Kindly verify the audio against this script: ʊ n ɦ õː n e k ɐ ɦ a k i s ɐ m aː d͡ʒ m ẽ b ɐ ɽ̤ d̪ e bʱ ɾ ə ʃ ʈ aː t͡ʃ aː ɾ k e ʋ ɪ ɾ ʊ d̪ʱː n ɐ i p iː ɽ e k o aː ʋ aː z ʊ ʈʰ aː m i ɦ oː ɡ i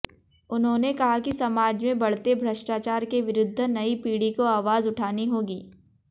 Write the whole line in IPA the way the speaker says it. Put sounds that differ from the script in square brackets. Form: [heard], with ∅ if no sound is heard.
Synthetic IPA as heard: ʊ n ɦ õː n e k ɐ ɦ a k i s ɐ m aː d͡ʒ m ẽ b ɐ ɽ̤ [t̪] e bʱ ɾ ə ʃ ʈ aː t͡ʃ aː ɾ k e ʋ ɪ ɾ ʊ d̪ʱː n ɐ i p iː ɽ [i] k o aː ʋ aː z ʊ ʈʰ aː [n] i ɦ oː ɡ [iː]